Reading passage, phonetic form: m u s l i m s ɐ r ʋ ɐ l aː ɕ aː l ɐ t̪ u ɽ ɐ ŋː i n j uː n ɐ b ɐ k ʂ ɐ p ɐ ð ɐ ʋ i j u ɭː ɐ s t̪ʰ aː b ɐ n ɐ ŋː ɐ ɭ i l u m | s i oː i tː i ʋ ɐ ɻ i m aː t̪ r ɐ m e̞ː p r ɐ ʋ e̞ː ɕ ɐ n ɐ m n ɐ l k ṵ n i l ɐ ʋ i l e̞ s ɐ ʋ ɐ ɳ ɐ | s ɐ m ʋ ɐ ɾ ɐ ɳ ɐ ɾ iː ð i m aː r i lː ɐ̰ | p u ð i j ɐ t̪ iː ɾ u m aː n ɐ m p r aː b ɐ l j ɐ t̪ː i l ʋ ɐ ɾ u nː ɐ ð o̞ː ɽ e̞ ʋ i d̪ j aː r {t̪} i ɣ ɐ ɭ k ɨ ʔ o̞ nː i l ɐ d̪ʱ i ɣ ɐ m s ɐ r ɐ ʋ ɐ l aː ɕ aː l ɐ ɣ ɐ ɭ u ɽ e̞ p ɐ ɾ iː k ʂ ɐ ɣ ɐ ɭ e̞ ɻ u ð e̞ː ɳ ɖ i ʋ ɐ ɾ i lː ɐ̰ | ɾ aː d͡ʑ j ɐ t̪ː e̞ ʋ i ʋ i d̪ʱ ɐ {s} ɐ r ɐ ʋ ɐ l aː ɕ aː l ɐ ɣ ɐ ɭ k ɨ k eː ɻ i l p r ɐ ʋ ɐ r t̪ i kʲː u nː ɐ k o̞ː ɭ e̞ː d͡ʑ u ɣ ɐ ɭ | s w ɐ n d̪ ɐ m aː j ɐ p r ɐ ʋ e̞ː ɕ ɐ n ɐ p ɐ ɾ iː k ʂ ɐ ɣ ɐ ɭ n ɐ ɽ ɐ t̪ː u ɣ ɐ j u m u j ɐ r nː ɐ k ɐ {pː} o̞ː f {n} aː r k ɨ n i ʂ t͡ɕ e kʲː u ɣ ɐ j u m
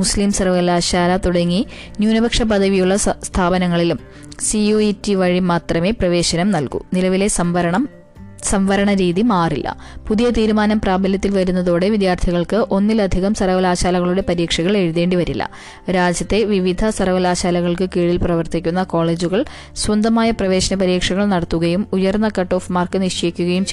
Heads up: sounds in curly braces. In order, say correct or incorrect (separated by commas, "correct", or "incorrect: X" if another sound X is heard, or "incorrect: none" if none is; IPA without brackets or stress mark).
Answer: incorrect: t̪ʰ, correct, incorrect: ʈː, incorrect: m